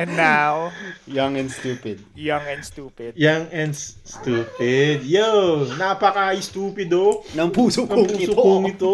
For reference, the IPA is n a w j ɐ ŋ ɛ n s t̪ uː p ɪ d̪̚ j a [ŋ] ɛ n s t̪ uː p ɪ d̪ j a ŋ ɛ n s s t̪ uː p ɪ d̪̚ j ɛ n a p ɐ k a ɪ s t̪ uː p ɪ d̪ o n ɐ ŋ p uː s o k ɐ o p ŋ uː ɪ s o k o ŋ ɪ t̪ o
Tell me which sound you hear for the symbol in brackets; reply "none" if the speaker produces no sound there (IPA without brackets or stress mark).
ŋ